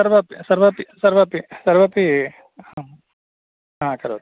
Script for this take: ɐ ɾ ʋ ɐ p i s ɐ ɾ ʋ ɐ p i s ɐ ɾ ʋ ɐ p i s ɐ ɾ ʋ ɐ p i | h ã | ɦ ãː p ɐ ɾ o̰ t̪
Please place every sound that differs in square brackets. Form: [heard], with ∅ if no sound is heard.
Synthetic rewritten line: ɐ ɾ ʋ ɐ p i s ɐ ɾ ʋ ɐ p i s ɐ ɾ ʋ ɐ p i s ɐ ɾ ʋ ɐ p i | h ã | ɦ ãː [k] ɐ ɾ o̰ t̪